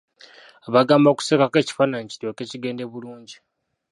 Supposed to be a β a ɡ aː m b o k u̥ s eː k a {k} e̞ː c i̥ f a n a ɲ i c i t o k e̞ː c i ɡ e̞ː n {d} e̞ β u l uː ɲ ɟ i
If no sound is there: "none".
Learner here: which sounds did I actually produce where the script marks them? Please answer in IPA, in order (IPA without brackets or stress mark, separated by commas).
k, d